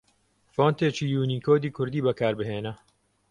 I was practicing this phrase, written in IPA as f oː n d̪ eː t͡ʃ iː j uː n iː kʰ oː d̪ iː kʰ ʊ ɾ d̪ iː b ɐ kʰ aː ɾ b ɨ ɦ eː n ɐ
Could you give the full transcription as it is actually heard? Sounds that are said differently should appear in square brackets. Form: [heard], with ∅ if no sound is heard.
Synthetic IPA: f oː n [t̪] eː t͡ʃ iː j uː n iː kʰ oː d̪ iː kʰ ʊ ɾ d̪ iː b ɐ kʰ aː ɾ b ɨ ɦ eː n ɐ